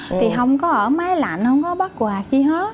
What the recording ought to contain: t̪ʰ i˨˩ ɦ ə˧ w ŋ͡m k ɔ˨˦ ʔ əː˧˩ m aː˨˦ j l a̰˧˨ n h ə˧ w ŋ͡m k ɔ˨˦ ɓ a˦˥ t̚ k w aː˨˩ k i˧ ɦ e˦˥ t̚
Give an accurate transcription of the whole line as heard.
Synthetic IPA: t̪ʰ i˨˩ ɦ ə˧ w ŋ͡m k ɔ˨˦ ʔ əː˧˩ m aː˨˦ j l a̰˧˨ n h ə˧ w ŋ͡m k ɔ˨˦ ɓ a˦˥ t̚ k w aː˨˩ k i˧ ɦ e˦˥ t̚